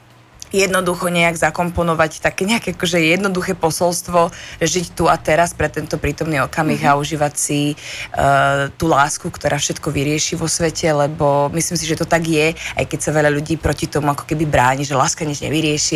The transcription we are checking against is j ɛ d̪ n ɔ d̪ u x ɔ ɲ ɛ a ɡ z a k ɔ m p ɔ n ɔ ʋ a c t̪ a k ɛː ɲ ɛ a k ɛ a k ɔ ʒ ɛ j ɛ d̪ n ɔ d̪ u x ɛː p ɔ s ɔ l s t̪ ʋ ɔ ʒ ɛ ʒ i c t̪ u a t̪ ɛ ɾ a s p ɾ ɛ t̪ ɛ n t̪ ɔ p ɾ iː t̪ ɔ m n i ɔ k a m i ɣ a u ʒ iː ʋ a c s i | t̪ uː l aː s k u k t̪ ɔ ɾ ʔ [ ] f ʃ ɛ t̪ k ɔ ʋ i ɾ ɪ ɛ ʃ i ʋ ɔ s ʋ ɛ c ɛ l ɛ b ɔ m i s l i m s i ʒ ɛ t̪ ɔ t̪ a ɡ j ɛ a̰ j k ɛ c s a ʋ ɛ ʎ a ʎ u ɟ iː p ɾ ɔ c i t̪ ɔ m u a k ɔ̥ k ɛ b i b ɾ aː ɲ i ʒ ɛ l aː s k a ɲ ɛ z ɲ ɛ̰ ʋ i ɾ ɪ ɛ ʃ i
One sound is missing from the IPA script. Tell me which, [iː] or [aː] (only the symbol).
aː